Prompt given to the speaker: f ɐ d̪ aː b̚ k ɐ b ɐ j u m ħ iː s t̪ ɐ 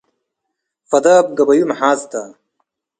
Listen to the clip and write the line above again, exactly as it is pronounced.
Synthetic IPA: f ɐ d̪ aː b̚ ɡ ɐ b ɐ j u m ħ aː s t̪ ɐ